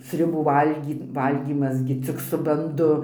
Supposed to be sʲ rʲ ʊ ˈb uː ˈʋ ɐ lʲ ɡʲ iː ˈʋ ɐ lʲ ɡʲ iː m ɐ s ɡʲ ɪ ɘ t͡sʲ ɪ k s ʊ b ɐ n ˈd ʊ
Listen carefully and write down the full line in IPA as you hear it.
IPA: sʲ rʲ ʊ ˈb uː ˈʋ ɐ lʲ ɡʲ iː ˈʋ ɐ lʲ ɡʲ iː m ɐ s ɡʲ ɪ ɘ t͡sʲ ɪ k s ʊ b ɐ n ˈd ʊ